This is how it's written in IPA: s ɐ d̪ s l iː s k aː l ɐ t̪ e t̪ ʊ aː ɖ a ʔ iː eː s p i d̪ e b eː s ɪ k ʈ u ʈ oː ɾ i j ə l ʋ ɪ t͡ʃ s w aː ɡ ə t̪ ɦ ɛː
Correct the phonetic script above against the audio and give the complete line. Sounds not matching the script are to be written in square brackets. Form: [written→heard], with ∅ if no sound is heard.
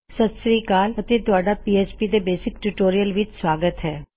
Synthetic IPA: s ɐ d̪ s [l→ɾ] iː [s→∅] k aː l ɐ t̪ e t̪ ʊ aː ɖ a [ʔ→p] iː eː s p i d̪ e b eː s ɪ k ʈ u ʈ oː ɾ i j ə l ʋ ɪ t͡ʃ s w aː ɡ ə t̪ ɦ ɛː